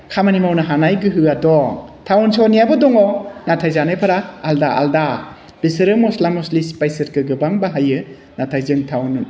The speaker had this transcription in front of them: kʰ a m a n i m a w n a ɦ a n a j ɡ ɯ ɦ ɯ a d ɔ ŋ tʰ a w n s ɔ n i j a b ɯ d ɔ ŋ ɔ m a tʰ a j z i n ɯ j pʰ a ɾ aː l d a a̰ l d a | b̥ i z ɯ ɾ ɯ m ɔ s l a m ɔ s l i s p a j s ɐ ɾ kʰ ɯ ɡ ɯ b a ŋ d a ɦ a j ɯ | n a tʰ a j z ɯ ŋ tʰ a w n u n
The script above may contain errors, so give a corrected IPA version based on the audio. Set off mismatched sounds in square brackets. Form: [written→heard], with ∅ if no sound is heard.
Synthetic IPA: kʰ a m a n i m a w n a ɦ a n a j ɡ ɯ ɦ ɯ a d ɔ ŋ tʰ a w n s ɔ n i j a b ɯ d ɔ ŋ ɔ [m→n] a tʰ a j z [i→a] n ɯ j pʰ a ɾ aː l d a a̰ l d a | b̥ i [z→s] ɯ ɾ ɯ m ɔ s l a m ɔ s l i s p a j s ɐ ɾ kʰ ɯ ɡ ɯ b a ŋ [d→b] a ɦ a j ɯ | n a tʰ a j z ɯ ŋ tʰ a w n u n